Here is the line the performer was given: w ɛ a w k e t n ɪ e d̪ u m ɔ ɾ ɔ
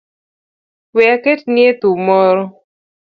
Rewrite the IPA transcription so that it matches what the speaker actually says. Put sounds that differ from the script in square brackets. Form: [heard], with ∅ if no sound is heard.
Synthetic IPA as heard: w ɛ a [∅] k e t n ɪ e [t̪] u m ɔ ɾ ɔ